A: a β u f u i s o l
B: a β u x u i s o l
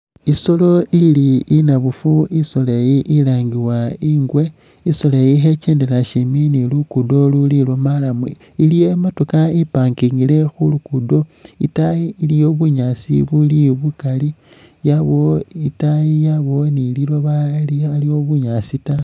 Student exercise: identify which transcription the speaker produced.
A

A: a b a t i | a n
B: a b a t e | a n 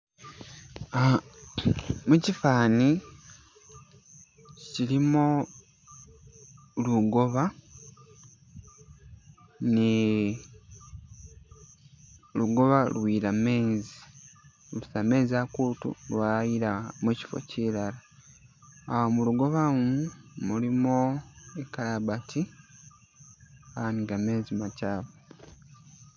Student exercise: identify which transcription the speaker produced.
A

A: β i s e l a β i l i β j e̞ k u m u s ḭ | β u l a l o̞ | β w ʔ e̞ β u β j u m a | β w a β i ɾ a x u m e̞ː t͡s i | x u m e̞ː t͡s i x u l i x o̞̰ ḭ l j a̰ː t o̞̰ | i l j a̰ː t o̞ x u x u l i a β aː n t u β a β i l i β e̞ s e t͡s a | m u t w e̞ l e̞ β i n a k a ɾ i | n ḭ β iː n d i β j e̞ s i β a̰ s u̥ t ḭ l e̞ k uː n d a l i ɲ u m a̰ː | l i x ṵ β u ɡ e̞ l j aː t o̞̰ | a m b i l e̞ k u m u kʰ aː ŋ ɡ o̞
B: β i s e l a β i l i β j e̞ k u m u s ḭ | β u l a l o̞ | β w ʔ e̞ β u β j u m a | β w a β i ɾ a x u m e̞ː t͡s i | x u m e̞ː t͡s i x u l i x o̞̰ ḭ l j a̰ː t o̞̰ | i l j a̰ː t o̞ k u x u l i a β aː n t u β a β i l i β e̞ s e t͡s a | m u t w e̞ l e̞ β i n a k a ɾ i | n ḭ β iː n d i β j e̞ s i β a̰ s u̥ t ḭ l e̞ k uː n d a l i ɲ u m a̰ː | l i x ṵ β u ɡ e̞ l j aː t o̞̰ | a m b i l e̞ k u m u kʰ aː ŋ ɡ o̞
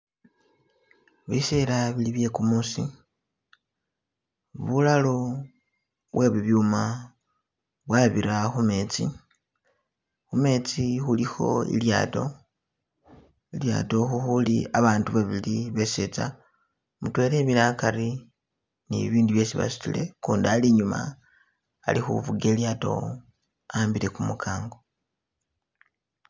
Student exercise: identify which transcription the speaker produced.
A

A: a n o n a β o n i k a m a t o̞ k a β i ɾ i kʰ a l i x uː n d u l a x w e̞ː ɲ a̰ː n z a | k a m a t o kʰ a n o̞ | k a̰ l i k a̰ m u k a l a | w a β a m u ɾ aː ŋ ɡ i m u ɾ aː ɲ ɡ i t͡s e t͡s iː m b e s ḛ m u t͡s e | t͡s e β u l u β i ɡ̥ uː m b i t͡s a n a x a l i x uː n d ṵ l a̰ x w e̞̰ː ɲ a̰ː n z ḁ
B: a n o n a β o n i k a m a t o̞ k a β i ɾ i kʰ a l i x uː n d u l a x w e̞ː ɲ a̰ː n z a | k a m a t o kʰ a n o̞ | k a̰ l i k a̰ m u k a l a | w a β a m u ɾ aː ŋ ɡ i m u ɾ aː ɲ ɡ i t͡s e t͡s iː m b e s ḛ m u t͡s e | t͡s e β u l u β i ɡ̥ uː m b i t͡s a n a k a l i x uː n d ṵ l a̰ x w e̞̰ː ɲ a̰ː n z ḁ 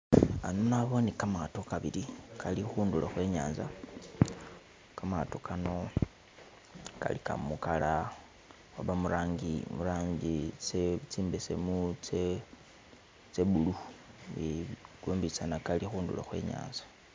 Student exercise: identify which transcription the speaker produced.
B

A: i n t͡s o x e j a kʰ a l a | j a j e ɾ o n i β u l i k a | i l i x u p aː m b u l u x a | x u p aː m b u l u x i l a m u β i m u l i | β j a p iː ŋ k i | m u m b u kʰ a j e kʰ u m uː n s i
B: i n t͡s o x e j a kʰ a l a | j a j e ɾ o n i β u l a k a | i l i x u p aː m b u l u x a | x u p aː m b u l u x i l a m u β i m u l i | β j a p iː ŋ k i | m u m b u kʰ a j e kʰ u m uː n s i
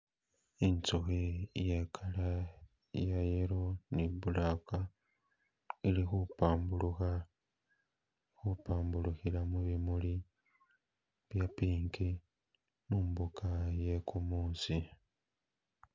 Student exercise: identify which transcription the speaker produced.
B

